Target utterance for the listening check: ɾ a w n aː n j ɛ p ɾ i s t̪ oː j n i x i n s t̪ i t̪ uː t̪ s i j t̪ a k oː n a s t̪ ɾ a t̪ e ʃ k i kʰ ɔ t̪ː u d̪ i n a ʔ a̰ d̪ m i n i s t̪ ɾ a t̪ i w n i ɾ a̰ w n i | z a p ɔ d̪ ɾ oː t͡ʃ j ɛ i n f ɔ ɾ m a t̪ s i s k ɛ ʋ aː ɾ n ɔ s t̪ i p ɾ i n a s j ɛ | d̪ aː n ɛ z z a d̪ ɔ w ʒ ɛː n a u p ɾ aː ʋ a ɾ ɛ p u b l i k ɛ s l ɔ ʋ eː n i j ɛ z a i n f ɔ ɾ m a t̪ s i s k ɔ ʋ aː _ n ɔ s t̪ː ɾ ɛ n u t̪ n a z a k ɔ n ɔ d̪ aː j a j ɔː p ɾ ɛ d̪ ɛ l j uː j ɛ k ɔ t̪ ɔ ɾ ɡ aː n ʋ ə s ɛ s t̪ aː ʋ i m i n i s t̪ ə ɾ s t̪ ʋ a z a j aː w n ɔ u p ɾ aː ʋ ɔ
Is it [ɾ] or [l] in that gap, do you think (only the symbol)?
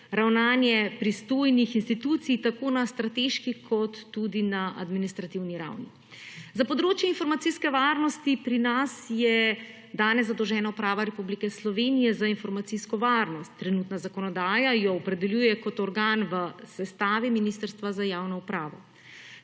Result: ɾ